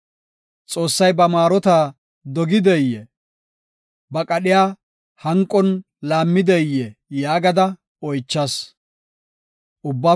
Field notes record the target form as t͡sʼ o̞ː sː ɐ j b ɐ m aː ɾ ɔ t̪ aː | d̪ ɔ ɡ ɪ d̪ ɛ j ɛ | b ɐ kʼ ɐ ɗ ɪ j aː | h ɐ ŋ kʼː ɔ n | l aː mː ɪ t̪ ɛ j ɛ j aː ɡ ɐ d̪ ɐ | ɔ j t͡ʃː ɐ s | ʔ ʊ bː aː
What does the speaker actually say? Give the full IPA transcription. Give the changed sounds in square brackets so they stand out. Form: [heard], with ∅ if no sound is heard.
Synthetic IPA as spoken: t͡sʼ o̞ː sː ɐ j b ɐ m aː ɾ ɔ t̪ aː | d̪ ɔ ɡ ɪ d̪ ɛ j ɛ | b ɐ kʼ ɐ ɗ ɪ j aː | h ɐ ŋ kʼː ɔ n | l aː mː ɪ [d̪] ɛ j ɛ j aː ɡ ɐ d̪ ɐ | ɔ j t͡ʃː ɐ s | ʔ ʊ bː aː